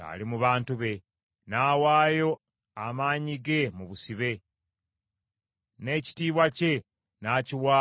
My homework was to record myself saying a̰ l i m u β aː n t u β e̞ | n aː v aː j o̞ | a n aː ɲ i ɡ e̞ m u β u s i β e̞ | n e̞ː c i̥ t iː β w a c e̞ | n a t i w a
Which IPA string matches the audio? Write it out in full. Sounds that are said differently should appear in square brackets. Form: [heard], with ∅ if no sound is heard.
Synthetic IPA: a̰ l i m u β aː n t u β e̞ | n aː [w] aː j o̞ | a [m] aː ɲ i ɡ e̞ m u β u s i β e̞ | n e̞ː c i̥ t iː β w a c e̞ | n a [c] i w a